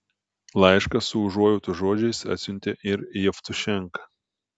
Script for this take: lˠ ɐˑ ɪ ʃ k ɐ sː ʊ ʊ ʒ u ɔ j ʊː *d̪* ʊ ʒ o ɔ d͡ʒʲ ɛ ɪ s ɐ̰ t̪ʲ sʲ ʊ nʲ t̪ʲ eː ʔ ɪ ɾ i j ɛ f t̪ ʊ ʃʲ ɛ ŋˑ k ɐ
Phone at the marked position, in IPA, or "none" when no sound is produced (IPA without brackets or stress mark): t̪